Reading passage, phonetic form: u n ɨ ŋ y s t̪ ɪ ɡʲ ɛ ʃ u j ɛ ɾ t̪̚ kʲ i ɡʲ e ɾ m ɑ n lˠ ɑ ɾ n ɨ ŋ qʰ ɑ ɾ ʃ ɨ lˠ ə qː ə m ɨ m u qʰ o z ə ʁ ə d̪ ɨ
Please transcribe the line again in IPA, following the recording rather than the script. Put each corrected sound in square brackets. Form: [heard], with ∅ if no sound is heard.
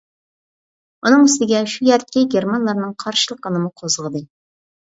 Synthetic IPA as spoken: u n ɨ ŋ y s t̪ ɪ ɡʲ ɛ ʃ u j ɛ ɾ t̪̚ kʲ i ɡʲ e ɾ m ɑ n lˠ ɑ ɾ n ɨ ŋ qʰ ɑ ɾ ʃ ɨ lˠ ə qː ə [n] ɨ m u qʰ o z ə ʁ ə d̪ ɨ